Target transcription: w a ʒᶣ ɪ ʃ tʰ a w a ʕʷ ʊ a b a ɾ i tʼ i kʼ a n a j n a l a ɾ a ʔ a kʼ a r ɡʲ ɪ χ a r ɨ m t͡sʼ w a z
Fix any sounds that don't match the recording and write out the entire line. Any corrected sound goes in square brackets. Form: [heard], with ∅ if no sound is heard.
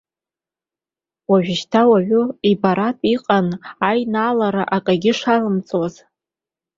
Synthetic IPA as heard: w a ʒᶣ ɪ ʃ tʰ a w a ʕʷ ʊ [i] b a ɾ [a] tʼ i [qʼ] a n a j n a l a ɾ a ʔ a kʼ a [∅] ɡʲ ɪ [ʂ] a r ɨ m t͡sʼ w a z